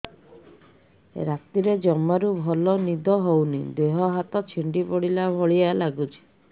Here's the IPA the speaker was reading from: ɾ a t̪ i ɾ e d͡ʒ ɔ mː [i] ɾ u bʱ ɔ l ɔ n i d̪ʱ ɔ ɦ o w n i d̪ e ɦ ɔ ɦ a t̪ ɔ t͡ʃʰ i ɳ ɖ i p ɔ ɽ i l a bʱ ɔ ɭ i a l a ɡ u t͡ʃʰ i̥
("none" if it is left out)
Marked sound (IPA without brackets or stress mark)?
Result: a